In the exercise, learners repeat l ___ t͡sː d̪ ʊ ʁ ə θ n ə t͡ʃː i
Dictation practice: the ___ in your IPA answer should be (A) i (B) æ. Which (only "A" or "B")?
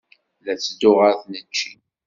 B